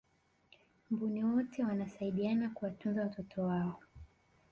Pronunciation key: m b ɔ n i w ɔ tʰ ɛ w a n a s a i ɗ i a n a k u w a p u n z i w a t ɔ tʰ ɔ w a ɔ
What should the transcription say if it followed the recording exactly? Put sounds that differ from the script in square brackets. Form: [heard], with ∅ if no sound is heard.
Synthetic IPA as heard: m b [u] n i w ɔ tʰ ɛ w a n a s a i ɗ i a n a k u w a [t] u n z [a] w a t ɔ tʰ ɔ w a ɔ

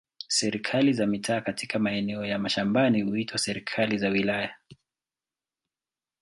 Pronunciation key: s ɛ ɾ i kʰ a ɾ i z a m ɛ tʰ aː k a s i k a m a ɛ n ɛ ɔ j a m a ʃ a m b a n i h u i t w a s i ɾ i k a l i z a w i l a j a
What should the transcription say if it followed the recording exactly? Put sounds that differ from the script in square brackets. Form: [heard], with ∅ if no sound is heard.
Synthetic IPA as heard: s ɛ ɾ i kʰ a [l] i z a m [i] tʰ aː k a [t] i k a m a ɛ n ɛ ɔ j a m a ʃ a m b a n i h u i t w a s [ɛ] ɾ i [kʰ] a l i z a w i l a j a

